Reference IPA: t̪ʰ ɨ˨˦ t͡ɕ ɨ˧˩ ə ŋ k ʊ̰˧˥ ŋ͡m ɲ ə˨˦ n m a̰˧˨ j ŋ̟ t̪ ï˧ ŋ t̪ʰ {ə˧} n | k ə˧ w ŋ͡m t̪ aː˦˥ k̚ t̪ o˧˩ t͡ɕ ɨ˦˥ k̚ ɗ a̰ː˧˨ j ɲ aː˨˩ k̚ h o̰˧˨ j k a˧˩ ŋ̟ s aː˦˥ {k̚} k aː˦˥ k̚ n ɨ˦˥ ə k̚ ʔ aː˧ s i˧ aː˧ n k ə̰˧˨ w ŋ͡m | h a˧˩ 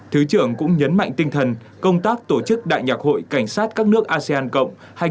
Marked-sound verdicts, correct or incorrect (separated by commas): incorrect, incorrect